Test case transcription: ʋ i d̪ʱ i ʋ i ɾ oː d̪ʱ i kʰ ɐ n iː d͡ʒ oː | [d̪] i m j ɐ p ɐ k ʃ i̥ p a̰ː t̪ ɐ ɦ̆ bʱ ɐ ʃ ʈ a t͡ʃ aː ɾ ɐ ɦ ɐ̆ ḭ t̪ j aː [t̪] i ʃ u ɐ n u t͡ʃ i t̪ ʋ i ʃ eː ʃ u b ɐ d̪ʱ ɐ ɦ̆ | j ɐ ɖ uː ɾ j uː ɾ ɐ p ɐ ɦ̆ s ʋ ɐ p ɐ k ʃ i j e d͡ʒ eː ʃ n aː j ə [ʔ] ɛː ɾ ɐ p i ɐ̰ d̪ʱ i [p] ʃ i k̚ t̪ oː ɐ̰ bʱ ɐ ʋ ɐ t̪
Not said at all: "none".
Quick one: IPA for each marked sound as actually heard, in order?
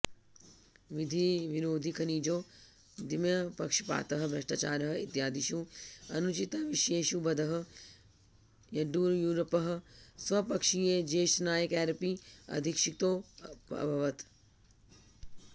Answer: d̪, d̪, k, k

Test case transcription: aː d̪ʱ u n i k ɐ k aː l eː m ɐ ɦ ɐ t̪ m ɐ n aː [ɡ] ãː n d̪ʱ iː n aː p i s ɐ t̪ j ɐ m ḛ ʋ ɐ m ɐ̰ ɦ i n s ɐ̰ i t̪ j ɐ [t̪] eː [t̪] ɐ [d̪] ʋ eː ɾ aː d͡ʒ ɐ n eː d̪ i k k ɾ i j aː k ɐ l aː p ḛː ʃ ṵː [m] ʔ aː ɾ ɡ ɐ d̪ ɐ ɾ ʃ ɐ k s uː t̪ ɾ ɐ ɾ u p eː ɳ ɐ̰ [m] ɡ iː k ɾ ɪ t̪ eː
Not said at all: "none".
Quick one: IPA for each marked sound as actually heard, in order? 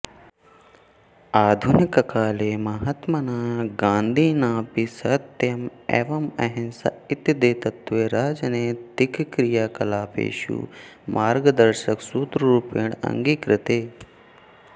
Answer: ɡ, d̪, t̪, t̪, m, ŋ

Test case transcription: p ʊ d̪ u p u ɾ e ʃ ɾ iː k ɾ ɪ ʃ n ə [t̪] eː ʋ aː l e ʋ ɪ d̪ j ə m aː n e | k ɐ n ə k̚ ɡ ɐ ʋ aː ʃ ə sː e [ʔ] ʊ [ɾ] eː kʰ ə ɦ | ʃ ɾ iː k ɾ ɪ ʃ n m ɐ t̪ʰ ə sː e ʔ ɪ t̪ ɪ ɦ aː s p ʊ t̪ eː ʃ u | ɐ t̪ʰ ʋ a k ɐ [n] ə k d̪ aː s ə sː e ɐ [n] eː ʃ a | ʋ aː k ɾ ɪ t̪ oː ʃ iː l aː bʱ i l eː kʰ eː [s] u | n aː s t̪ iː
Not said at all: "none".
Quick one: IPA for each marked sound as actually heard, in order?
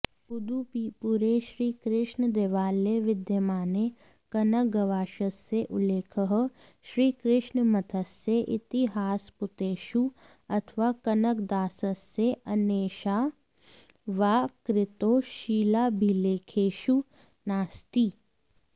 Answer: d̪, ʔ, l, n, n, ʃ

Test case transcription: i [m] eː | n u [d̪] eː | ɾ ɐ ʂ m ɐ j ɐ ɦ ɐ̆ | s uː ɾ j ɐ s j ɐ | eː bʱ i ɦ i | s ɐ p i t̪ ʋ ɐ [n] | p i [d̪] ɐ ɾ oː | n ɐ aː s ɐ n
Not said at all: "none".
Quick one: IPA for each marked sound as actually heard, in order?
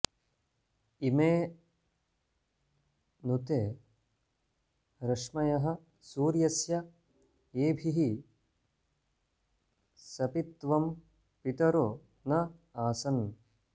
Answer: m, t̪, m, t̪

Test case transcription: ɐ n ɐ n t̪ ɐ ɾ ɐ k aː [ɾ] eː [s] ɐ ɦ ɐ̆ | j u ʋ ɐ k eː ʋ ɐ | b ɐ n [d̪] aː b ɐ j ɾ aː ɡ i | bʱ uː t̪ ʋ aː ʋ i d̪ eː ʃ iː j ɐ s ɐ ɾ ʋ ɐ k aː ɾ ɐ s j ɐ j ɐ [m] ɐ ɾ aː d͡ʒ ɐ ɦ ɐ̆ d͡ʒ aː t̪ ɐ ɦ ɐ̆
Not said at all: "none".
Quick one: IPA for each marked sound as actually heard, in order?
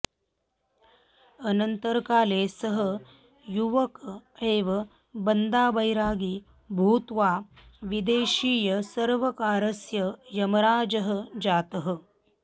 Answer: l, s, d̪, m

